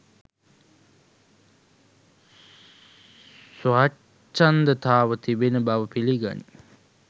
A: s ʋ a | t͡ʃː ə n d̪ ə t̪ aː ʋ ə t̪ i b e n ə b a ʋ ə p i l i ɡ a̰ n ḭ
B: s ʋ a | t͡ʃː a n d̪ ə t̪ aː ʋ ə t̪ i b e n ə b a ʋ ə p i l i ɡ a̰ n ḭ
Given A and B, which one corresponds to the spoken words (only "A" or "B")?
B